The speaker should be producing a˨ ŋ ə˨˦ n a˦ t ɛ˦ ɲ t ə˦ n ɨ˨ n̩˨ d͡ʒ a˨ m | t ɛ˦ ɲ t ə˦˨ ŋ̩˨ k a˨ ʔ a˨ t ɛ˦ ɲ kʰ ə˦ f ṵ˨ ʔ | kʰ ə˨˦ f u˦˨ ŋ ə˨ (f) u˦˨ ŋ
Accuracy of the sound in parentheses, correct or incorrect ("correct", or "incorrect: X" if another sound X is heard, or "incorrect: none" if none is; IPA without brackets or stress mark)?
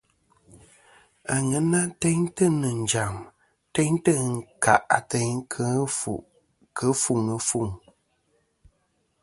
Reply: correct